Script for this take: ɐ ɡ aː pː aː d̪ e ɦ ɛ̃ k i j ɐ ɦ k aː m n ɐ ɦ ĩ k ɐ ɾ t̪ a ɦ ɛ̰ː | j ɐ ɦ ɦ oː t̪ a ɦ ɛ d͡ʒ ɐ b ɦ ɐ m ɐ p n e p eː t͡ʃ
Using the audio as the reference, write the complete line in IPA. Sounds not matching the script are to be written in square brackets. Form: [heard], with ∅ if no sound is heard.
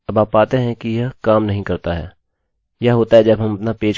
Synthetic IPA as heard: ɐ [b] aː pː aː [t̪] e ɦ ɛ̃ k i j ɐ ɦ k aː m n ɐ ɦ ĩ k ɐ ɾ t̪ a ɦ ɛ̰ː | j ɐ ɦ ɦ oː t̪ a ɦ ɛ d͡ʒ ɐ b ɦ ɐ m ɐ p n [a] p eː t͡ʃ